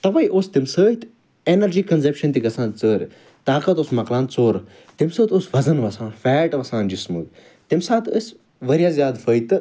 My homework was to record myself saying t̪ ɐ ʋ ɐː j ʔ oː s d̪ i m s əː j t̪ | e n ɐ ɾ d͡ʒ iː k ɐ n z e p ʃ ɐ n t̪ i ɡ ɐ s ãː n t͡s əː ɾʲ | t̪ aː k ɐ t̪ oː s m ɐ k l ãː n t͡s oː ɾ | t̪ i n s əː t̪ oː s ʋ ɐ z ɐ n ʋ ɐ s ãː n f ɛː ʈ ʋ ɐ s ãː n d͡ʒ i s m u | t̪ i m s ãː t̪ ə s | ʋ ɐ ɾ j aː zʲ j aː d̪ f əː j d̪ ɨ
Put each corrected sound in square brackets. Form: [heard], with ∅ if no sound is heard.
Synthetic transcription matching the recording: t̪ ɐ ʋ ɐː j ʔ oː s [t̪] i m s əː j t̪ | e n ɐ ɾ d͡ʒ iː k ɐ n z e p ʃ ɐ n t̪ i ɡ ɐ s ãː n t͡s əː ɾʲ | t̪ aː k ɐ t̪ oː s m ɐ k l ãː n t͡s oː ɾ | t̪ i [m] s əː t̪ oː s ʋ ɐ z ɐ n ʋ ɐ s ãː n f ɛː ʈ ʋ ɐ s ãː n d͡ʒ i s m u | t̪ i m s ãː t̪ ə s | ʋ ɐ ɾ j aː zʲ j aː d̪ f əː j [t̪] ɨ

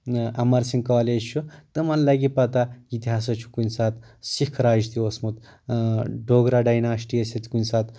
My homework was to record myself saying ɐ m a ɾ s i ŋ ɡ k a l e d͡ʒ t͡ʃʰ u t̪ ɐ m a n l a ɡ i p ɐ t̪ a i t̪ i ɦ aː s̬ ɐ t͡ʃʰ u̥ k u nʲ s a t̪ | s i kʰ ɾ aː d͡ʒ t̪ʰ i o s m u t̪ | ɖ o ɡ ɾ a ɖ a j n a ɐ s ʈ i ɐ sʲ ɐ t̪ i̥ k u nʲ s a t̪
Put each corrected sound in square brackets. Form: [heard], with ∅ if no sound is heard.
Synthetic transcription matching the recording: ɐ m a ɾ s i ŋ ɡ k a l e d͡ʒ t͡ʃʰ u t̪ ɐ m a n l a ɡ i p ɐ t̪ a i t̪ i ɦ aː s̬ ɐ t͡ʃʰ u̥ k u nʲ s a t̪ | s i kʰ ɾ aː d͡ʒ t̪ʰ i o s m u t̪ | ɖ o ɡ ɾ a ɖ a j n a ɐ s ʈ i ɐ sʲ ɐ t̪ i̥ k u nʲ s a t̪

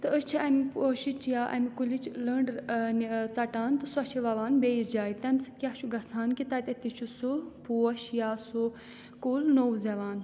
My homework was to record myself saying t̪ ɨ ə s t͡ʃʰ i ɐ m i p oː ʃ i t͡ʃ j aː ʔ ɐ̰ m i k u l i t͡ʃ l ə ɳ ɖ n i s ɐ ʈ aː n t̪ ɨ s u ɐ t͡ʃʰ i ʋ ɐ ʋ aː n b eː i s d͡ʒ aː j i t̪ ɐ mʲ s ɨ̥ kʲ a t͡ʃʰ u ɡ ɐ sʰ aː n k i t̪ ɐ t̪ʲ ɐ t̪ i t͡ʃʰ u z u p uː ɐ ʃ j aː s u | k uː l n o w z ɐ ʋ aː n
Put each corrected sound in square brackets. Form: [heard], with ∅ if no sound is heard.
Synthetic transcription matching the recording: t̪ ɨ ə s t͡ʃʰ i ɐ m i p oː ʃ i t͡ʃ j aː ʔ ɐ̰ m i k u l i t͡ʃ l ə ɳ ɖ n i [t͡s] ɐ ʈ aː n t̪ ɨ s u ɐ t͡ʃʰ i ʋ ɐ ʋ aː n b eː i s d͡ʒ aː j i t̪ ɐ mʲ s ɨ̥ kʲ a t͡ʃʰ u ɡ ɐ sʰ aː n k i t̪ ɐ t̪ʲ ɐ t̪ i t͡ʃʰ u [s] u p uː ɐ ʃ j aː s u | k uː l n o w z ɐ ʋ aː n

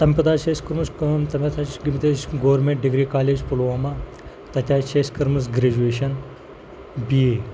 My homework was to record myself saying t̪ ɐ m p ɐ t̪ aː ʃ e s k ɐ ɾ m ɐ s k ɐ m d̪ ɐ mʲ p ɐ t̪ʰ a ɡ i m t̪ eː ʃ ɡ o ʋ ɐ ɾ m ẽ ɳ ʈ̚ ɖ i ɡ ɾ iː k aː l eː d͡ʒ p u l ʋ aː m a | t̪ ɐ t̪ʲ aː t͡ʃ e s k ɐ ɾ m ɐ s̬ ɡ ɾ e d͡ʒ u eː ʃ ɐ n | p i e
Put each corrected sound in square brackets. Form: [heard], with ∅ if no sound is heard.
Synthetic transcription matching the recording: t̪ ɐ m p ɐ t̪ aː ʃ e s k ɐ ɾ m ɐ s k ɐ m [t̪] ɐ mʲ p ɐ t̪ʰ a ɡ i m t̪ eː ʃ ɡ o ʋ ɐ ɾ m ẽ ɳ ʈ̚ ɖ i ɡ ɾ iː k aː l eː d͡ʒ p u l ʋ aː m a | t̪ ɐ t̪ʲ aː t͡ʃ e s k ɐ ɾ m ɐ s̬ ɡ ɾ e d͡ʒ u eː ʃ ɐ n | [b] i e

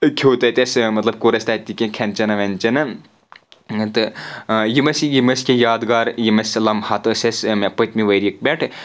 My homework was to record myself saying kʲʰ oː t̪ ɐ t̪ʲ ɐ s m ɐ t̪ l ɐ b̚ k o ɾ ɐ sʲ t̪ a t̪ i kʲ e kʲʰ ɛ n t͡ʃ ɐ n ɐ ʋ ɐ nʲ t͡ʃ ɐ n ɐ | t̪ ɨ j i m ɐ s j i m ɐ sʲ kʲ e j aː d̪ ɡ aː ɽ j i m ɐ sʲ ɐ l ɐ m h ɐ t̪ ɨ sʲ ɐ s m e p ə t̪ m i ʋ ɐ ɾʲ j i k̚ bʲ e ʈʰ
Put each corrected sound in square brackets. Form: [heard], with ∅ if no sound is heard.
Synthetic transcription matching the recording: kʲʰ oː t̪ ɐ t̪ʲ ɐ s m ɐ t̪ l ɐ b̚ k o ɾ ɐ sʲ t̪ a t̪ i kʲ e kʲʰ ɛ n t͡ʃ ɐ n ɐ ʋ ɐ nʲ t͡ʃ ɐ n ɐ | t̪ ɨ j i m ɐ s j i m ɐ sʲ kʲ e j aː d̪ ɡ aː [ɾ] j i m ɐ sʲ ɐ l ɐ m h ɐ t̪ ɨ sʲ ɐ s m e p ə t̪ m i ʋ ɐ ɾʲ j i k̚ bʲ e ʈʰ

